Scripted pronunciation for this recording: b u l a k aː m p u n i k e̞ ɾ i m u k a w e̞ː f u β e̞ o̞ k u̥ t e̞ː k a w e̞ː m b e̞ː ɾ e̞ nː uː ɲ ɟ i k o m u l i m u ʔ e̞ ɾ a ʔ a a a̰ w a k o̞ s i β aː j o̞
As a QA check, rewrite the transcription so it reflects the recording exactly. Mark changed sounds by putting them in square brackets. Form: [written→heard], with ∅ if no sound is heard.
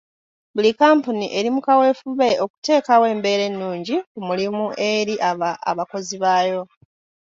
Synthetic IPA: b u l [a→i] k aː m p u n i [k→ʔ] e̞ ɾ i m u k a w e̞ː f u β e̞ o̞ k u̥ t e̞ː k a w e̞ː m b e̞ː ɾ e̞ nː uː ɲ ɟ i k [o→u] m u l i m u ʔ e̞ ɾ [a→i] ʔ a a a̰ [w→β] a k o̞ [s→z] i β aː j o̞